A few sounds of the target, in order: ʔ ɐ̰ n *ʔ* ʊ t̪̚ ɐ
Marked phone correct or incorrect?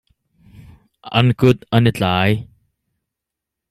incorrect